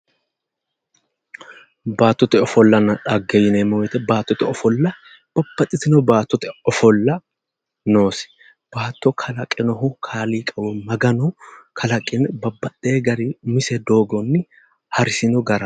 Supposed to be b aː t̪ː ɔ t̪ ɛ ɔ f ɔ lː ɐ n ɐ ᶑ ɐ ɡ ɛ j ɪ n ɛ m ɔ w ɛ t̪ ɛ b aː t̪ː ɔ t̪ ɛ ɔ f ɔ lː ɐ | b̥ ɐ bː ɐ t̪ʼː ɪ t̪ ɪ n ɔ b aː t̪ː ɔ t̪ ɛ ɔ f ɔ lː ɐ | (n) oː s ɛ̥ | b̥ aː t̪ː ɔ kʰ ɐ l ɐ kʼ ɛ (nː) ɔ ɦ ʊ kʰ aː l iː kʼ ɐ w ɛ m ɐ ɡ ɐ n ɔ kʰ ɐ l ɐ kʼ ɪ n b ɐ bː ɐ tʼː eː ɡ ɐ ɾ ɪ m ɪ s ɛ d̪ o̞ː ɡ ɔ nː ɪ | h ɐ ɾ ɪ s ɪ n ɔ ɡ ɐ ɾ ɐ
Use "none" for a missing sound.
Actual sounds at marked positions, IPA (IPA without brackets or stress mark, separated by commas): n, n